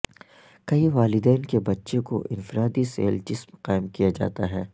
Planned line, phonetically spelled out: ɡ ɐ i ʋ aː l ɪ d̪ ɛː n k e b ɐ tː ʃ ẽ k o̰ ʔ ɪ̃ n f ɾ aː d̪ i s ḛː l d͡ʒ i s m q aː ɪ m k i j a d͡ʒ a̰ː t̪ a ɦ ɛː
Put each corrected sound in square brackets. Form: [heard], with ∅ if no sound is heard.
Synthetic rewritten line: [k] ɐ i ʋ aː l ɪ d̪ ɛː n k e b ɐ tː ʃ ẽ k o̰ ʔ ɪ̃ n f ɾ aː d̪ i s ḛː l d͡ʒ [ɪ] s m q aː ɪ m k i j a d͡ʒ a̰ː t̪ a ɦ ɛː